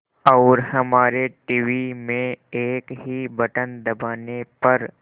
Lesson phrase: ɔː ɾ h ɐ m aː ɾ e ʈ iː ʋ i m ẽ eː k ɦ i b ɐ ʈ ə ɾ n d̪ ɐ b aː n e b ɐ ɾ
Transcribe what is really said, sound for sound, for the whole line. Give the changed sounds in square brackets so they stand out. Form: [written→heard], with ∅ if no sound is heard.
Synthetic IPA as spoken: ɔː ɾ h ɐ m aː ɾ e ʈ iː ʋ i m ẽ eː k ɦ i b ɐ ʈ ə [ɾ→∅] n d̪ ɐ b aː n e [b→p] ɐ ɾ